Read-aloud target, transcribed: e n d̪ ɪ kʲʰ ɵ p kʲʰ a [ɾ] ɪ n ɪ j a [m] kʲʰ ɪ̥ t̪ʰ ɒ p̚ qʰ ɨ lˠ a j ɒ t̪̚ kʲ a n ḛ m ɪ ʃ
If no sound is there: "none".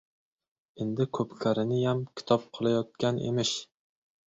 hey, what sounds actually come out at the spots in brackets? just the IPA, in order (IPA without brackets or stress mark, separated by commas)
ɾ, m